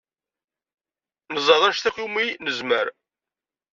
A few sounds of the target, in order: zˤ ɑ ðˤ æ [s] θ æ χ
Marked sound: incorrect: ʃ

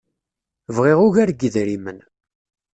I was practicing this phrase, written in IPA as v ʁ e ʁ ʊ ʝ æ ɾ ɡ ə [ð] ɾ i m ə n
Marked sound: correct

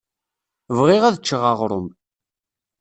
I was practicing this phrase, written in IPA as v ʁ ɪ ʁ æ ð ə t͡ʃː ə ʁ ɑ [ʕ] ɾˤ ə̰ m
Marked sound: incorrect: ʁ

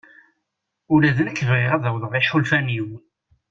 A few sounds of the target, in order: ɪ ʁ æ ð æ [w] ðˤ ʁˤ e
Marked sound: correct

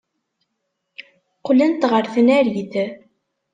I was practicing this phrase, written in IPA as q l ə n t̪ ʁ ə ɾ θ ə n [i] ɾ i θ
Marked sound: incorrect: æ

